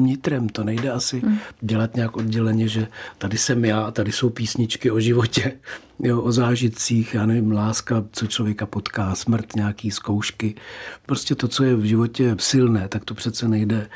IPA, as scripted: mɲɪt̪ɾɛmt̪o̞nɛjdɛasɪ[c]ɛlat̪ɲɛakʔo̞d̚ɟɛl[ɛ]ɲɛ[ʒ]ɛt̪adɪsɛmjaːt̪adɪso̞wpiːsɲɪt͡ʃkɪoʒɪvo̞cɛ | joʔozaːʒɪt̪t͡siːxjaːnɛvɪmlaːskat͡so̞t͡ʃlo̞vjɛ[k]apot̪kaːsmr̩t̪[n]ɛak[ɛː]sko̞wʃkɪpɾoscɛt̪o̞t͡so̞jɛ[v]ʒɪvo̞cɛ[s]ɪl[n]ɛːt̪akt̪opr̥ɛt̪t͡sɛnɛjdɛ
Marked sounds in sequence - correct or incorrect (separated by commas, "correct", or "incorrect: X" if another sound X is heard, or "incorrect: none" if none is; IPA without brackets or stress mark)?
incorrect: ɟ, correct, correct, correct, incorrect: ɲ, incorrect: iː, correct, correct, correct